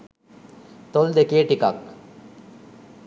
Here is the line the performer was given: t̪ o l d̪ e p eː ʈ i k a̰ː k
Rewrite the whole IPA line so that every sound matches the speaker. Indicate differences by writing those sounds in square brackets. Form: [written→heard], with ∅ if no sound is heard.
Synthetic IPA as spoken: t̪ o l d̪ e [p→k] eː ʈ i k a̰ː k